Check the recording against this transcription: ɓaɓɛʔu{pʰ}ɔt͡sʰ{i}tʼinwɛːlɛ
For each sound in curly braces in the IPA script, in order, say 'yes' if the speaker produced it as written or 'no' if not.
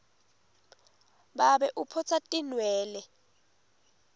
yes, no

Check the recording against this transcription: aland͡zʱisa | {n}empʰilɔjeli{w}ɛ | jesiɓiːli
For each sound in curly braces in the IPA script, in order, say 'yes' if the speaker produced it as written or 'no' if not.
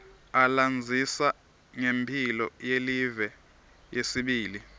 no, no

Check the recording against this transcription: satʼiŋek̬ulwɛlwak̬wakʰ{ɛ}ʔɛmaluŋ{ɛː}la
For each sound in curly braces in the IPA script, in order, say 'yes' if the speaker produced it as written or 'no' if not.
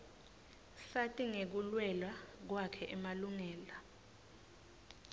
yes, yes

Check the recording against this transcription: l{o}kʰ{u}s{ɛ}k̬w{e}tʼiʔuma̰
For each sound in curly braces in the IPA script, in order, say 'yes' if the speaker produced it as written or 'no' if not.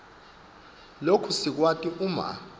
yes, yes, no, no

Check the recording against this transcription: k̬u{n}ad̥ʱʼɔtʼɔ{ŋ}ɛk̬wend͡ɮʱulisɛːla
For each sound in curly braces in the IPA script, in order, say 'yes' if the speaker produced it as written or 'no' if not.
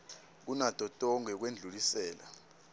yes, yes

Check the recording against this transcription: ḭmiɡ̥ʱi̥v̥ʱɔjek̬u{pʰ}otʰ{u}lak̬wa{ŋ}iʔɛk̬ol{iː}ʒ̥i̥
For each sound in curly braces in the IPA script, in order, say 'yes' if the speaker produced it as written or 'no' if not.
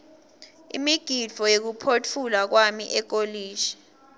yes, yes, no, yes

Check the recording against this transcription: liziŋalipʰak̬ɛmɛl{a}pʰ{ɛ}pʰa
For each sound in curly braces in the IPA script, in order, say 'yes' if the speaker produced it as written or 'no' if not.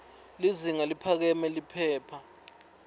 no, no

